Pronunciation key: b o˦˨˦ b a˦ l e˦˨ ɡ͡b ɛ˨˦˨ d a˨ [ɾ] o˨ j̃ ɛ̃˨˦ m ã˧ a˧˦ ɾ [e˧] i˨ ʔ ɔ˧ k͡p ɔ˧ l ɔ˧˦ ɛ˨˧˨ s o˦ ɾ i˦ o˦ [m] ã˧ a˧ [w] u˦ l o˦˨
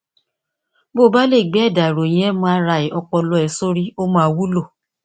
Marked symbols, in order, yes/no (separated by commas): yes, no, yes, yes